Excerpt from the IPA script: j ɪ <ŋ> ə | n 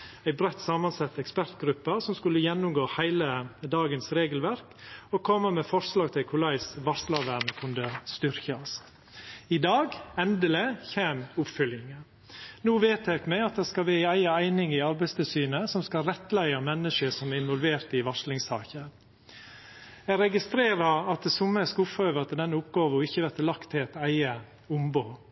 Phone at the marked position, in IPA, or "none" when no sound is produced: ŋ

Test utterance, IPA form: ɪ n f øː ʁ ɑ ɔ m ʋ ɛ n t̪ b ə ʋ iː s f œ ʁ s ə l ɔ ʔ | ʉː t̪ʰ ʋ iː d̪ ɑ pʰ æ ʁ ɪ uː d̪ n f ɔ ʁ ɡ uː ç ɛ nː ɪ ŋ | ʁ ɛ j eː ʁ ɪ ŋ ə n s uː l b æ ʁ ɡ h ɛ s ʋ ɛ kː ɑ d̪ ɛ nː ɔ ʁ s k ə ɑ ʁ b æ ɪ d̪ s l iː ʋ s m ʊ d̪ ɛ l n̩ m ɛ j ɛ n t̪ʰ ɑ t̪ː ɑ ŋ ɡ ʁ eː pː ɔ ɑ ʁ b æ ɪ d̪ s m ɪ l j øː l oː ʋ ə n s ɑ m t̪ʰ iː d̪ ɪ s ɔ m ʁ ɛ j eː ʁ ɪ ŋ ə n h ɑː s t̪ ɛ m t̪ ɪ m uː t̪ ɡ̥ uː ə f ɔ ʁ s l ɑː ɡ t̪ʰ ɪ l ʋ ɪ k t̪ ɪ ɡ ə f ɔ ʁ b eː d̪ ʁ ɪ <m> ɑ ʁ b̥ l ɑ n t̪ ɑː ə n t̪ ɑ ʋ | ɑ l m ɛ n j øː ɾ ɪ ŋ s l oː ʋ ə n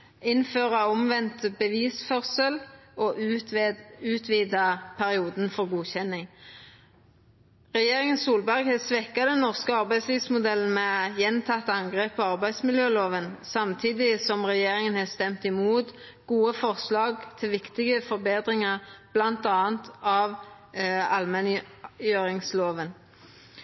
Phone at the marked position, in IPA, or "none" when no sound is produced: ŋ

